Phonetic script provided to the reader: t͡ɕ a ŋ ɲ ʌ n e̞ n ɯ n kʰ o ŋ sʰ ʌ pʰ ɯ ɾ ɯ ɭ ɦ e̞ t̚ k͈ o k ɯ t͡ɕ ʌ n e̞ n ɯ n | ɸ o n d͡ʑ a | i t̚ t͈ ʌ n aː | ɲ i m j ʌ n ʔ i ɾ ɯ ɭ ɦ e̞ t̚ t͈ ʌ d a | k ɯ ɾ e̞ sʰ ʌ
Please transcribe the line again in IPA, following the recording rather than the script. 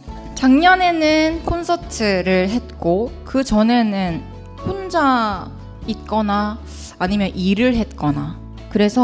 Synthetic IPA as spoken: t͡ɕ a ŋ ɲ ʌ n e̞ n ɯ n kʰ o n sʰ ʌ tʰ ɯ ɾ ɯ ɭ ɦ e̞ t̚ k͈ o k ɯ t͡ɕ ʌ n e̞ n ɯ n | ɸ o n d͡ʑ a | i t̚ k͈ ʌ n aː | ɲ i m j ʌ n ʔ i ɾ ɯ ɭ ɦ e̞ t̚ k͈ ʌ n a | k ɯ ɾ e̞ sʰ ʌ